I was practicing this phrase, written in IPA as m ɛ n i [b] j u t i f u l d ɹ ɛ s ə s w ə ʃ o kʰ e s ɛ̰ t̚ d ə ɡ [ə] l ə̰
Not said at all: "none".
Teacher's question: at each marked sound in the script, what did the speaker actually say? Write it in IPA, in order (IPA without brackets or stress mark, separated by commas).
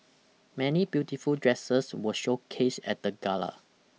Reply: b, a